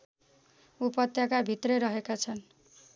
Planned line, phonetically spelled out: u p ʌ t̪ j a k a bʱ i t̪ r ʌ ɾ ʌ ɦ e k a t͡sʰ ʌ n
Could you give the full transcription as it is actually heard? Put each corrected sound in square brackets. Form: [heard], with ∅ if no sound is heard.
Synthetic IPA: u p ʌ t̪ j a k a bʱ i t̪ r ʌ ɾ ʌ ɦ e k a t͡sʰ ʌ n